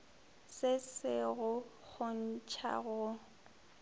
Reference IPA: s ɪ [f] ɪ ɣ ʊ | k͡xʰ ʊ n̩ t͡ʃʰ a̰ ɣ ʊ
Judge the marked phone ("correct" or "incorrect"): incorrect